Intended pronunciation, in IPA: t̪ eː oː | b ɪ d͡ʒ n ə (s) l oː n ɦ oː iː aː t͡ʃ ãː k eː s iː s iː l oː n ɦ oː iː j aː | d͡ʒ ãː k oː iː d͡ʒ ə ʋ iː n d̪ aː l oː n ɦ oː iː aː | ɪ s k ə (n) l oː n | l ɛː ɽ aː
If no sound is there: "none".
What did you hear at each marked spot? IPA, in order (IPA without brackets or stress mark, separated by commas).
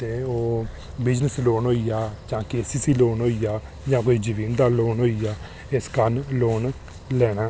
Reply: s, n